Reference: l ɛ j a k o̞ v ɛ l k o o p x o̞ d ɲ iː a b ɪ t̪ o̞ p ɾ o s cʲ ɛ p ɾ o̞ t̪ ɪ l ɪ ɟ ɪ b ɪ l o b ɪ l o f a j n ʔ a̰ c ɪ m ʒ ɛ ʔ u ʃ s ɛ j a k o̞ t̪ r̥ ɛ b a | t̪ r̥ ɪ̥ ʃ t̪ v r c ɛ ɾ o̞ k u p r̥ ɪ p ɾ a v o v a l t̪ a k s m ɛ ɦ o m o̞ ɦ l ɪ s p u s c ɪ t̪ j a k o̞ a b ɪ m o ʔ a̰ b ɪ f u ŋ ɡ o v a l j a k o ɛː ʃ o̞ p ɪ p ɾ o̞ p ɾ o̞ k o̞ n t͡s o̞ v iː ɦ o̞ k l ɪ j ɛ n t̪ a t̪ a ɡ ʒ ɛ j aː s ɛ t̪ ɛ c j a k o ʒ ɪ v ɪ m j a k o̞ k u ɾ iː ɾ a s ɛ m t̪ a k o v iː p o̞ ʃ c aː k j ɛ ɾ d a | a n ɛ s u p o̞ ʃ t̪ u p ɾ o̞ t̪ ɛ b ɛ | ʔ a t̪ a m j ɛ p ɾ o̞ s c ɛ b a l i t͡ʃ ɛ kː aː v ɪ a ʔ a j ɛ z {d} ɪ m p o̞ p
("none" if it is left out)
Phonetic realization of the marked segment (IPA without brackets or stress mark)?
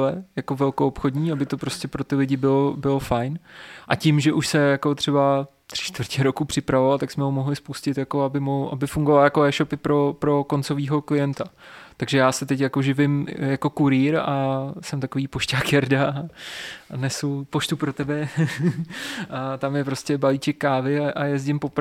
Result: ɟ